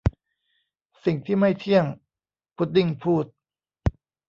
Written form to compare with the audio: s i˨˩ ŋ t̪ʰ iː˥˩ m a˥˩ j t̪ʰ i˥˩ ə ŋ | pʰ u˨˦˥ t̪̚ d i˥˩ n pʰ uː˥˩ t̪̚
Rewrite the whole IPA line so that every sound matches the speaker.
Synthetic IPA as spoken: s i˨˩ ŋ t̪ʰ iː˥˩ m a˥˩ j t̪ʰ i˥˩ ə ŋ | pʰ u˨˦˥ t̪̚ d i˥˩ ŋ pʰ uː˥˩ t̪̚

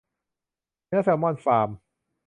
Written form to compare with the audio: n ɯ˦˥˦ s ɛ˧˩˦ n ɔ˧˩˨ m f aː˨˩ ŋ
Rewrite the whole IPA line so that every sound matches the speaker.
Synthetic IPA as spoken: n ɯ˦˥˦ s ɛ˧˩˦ m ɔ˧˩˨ n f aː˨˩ m

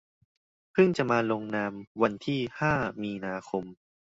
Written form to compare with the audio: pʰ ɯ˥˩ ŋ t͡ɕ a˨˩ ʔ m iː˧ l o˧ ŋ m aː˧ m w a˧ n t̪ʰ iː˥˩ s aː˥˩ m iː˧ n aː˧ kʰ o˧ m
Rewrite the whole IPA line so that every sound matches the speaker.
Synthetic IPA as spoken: pʰ ɯ˥˩ ŋ t͡ɕ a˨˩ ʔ m aː˧ l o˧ ŋ n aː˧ m w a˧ n t̪ʰ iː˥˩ h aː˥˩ m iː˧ n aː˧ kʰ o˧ m

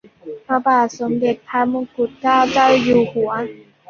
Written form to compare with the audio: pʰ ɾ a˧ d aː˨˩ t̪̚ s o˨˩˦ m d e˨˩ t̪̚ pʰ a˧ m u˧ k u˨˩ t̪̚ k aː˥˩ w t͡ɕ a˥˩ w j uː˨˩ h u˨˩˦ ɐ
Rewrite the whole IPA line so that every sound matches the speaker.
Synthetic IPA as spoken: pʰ ɾ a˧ b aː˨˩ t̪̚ s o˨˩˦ m d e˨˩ t̪̚ pʰ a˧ m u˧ k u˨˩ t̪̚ k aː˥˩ w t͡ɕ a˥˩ w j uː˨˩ h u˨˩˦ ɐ

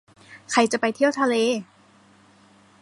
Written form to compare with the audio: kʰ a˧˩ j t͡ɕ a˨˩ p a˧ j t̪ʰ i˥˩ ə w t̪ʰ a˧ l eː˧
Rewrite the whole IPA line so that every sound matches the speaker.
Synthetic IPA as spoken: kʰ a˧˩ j t͡ɕ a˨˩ p a˧ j t̪ʰ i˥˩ ə w t̪ʰ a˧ l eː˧

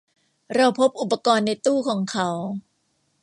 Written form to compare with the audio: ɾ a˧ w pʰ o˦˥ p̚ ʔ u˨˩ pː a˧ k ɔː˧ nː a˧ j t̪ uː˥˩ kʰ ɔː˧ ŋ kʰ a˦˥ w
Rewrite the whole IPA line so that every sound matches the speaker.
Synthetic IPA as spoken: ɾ a˧ w pʰ o˦˥ p̚ ʔ u˨˩ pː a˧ k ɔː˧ nː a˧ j t̪ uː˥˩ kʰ ɔː˩˦ ŋ kʰ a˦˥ w

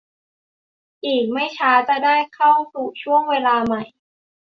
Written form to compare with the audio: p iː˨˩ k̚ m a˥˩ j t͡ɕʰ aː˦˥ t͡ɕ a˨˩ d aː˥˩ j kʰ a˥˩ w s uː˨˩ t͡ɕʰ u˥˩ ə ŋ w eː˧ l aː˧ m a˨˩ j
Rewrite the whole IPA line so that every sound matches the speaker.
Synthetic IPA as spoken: ʔ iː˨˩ k̚ m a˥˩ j t͡ɕʰ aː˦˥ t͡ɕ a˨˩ d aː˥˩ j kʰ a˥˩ w s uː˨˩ t͡ɕʰ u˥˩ ə ŋ w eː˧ l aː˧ m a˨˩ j

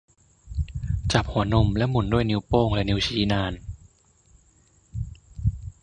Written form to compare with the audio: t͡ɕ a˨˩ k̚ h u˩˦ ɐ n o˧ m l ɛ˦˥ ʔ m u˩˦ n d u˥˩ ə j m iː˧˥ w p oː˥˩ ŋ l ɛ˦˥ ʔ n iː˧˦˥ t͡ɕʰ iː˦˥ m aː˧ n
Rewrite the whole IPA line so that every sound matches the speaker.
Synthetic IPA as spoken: t͡ɕ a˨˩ p̚ h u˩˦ ɐ n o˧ m l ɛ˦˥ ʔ m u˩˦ n d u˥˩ ə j n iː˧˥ w p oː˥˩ ŋ l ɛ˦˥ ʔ n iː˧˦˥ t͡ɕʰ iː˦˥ n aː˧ n

